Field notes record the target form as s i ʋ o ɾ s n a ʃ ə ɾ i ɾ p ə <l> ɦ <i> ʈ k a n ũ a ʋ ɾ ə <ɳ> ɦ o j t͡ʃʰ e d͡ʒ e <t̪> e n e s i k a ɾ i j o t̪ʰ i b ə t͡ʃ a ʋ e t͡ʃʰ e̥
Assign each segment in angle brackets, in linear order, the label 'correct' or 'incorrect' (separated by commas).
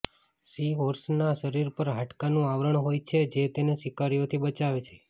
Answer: incorrect, incorrect, correct, correct